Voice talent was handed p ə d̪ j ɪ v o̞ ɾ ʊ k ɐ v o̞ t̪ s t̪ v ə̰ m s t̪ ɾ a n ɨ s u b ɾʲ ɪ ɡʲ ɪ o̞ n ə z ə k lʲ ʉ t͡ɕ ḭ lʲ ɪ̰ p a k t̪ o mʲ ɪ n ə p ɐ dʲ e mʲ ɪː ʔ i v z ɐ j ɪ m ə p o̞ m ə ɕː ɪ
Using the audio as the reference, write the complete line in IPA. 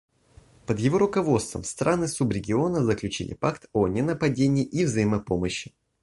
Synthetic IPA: p ə d̪ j ɪ v o̞ ɾ ʊ k ɐ v o̞ t̪ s t̪ v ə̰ m s t̪ ɾ a n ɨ s u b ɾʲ ɪ ɡʲ ɪ o̞ n ə z ə k lʲ ʉ t͡ɕ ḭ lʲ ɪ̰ p a k t̪ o nʲ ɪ n ə p ɐ dʲ e nʲ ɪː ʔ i v z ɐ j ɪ m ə p o̞ m ə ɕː ɪ